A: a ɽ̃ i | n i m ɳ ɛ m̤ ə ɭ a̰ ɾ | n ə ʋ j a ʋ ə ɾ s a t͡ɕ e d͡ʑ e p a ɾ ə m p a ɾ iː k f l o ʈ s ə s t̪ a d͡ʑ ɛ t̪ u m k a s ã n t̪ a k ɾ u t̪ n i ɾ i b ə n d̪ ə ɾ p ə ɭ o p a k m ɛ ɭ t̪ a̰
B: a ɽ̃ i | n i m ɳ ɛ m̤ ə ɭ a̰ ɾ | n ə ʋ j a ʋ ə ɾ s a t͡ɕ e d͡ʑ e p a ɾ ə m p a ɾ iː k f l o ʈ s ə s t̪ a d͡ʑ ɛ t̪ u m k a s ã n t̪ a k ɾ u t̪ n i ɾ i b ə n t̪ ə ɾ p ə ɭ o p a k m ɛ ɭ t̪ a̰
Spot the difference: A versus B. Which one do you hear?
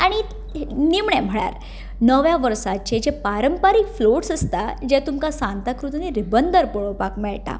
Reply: A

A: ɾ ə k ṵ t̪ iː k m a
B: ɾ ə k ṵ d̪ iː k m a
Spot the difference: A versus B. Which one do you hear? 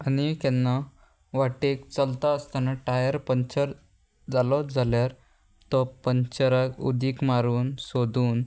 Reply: B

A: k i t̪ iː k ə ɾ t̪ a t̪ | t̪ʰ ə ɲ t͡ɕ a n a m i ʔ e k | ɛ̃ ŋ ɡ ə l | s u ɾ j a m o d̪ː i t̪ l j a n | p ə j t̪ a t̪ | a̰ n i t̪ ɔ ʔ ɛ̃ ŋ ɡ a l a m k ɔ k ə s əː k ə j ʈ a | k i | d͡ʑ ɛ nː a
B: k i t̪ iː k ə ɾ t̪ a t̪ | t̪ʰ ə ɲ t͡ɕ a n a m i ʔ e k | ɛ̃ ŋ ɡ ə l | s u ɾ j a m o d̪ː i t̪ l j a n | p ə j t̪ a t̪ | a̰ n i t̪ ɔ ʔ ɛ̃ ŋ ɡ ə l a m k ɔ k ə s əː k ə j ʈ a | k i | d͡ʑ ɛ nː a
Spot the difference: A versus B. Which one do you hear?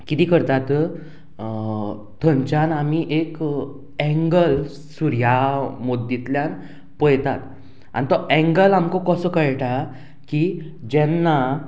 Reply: B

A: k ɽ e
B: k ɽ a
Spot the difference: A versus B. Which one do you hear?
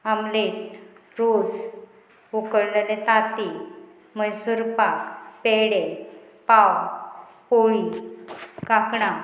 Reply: B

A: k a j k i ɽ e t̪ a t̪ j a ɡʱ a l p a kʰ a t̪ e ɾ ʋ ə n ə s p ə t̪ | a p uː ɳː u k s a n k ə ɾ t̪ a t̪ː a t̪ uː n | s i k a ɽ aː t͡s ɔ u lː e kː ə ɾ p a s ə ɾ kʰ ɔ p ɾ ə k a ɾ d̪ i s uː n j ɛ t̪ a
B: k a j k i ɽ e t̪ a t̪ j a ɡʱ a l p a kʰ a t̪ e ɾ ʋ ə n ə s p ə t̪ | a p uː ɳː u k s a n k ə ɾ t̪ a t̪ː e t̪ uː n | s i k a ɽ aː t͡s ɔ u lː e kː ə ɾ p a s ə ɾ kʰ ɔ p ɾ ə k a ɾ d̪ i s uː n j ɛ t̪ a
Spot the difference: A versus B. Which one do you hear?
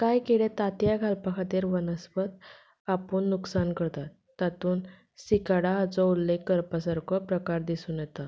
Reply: A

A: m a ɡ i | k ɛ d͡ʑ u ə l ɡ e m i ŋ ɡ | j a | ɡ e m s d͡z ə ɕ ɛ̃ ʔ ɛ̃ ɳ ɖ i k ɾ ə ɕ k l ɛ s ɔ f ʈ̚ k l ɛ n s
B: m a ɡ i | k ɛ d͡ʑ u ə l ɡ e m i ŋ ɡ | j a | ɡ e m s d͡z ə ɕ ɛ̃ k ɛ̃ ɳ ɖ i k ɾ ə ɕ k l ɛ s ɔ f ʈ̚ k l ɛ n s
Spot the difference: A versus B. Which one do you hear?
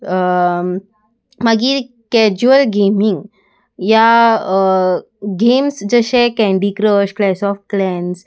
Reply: B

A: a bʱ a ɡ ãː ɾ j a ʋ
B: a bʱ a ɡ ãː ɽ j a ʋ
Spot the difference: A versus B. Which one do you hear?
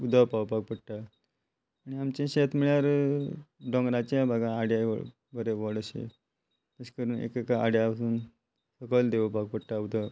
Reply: B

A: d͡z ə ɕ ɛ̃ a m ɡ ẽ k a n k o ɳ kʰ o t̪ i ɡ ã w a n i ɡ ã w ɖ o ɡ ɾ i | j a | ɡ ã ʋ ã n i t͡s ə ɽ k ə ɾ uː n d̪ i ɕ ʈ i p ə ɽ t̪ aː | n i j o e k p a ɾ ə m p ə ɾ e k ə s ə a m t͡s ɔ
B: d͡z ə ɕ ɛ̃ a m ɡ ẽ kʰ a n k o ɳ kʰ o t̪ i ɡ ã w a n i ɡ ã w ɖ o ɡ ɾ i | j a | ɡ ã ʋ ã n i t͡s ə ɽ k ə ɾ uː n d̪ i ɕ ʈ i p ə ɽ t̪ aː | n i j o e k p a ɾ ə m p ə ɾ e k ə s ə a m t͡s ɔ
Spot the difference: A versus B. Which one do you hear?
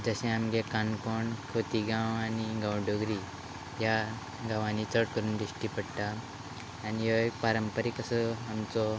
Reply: A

